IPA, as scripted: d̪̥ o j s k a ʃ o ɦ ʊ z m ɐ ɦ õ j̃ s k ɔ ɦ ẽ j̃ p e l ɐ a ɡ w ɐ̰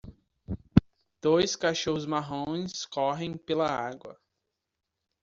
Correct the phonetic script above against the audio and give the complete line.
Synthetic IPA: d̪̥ o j s k a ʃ o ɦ ʊ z m a ɦ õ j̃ s k ɔ ɦ ẽ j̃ p e l ɐ a ɡ w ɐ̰